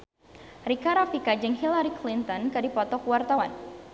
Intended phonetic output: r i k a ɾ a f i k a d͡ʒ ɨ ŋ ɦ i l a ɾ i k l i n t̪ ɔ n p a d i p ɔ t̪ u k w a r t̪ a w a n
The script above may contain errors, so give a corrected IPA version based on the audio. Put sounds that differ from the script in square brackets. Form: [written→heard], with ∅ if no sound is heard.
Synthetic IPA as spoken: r i k a ɾ a f i k a d͡ʒ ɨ ŋ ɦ i l a ɾ i k l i n t̪ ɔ n [p→k] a d i p ɔ t̪ [u→ɔ] k w a r t̪ a w a n